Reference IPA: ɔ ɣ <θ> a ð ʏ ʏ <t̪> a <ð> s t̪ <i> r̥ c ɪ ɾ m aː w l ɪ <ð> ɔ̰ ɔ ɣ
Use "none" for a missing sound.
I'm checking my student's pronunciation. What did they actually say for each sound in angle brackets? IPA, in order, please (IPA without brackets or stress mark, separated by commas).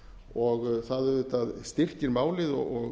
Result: θ, t̪, ð, ɪ, ð